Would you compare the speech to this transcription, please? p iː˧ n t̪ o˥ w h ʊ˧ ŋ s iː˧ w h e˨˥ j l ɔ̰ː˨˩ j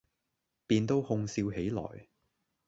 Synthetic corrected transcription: p iː˧ n t̪ o˥ w h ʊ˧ ŋ s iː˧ w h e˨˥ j l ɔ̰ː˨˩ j

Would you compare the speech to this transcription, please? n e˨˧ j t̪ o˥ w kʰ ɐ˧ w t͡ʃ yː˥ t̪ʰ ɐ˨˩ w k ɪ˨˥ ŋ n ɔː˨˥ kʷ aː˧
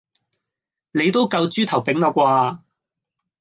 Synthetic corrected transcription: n e˨˧ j t̪ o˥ w k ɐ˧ w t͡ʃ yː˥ t̪ʰ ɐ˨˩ w p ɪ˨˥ ŋ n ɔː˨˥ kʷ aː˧

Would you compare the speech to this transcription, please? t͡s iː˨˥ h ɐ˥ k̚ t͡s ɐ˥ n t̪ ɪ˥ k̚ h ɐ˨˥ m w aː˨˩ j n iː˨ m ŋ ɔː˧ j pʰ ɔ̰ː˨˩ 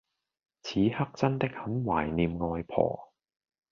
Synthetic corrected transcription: t͡sʰ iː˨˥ h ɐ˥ k̚ t͡s ɐ˥ n t̪ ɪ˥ k̚ h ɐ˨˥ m w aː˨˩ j n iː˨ m ŋ ɔː˧ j pʰ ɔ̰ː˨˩

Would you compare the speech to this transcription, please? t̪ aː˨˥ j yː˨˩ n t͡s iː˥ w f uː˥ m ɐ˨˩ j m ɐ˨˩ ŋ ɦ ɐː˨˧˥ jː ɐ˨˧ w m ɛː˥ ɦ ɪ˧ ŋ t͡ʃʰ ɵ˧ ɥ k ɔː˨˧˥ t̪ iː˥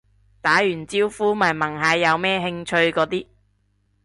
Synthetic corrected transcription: t̪ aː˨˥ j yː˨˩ n t͡s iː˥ w f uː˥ m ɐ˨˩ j m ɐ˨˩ ŋ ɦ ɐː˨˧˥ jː ɐ˨˧ w m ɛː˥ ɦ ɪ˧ ŋ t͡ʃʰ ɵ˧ ɥ k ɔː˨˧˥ t̪ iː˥

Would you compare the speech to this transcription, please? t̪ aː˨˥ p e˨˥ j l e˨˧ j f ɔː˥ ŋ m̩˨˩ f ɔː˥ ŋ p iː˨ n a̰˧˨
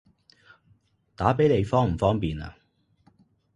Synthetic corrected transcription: t̪ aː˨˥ p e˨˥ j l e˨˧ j f ɔː˥ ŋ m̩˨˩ f ɔː˥ ŋ p iː˨ n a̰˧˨

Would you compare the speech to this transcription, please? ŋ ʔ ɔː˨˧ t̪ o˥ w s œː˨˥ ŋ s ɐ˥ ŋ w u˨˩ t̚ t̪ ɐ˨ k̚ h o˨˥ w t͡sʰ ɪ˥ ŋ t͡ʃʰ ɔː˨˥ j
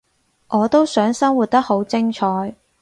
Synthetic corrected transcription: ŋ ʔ ɔː˨˧ t̪ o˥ w s œː˨˥ ŋ s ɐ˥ ŋ w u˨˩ t̚ t̪ ɐ˥ k̚ h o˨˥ w t͡s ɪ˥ ŋ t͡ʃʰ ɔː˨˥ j

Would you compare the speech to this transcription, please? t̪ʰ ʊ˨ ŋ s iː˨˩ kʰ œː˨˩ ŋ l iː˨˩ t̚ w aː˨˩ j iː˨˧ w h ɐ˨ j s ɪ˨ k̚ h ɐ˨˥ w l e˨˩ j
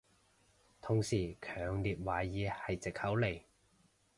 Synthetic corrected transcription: t̪ʰ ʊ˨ ŋ s iː˨˩ kʰ œː˨˩ ŋ l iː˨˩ t̚ w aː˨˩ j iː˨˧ h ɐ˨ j t͡s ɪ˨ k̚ h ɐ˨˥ w l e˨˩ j

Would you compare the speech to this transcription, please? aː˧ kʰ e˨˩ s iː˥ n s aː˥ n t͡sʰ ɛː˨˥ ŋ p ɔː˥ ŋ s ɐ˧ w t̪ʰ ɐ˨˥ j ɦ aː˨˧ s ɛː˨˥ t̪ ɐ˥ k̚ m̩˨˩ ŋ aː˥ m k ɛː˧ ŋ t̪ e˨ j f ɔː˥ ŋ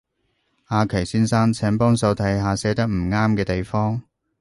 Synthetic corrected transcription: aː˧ kʰ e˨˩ s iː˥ n s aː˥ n t͡sʰ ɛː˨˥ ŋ p ɔː˥ ŋ s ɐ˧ w t̪ʰ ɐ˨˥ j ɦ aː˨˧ s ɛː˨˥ t̪ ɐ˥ k̚ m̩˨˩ ŋ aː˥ m k ɛː˧ t̪ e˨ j f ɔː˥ ŋ

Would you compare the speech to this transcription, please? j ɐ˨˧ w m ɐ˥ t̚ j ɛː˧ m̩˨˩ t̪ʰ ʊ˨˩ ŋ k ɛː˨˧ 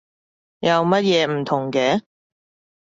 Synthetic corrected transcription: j ɐ˨˧ w m ɐ˥ t̚ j ɛː˧ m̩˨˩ t̪ʰ ʊ˨˩ ŋ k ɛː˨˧

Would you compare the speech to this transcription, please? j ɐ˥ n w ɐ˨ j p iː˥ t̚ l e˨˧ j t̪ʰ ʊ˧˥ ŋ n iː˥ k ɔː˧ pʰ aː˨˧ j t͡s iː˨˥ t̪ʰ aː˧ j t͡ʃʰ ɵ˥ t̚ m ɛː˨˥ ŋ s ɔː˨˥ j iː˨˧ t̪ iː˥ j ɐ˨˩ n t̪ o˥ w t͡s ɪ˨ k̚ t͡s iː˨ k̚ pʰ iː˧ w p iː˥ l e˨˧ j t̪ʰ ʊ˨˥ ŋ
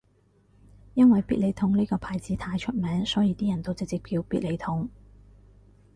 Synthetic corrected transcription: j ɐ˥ n w ɐ˨ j p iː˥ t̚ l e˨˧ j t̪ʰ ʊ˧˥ ŋ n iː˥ k ɔː˧ pʰ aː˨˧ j t͡s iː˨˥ t̪ʰ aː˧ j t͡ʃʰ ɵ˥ t̚ m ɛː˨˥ ŋ s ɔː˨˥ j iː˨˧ t̪ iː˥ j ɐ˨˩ n t̪ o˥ w t͡s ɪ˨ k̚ t͡s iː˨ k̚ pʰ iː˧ w p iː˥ l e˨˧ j t̪ʰ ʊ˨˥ ŋ

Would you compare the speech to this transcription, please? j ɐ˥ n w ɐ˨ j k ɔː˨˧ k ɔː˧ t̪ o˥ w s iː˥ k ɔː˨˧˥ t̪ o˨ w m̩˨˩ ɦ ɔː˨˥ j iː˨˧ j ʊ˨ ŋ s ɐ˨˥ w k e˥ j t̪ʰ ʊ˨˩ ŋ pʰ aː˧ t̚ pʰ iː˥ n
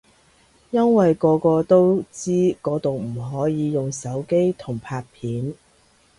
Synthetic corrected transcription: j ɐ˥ n w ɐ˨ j k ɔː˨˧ k ɔː˧ t̪ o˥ w t͡s iː˥ k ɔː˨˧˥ t̪ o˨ w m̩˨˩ ɦ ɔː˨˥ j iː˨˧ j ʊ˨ ŋ s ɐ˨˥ w k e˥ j t̪ʰ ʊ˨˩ ŋ pʰ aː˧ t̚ pʰ iː˨˥ n

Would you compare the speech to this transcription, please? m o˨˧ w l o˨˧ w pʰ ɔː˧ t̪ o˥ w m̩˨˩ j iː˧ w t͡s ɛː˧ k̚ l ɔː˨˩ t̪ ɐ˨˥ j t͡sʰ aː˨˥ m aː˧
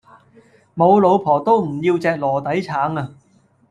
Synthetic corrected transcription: m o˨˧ w l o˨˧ w pʰ ɔː˨˩ t̪ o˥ w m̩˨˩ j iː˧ w t͡s ɛː˧ k̚ l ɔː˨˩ t̪ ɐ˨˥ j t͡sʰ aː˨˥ ŋ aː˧

